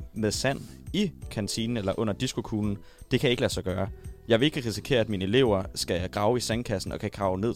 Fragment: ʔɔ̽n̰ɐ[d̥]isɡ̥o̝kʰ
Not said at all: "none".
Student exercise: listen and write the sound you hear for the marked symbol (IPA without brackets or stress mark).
d̥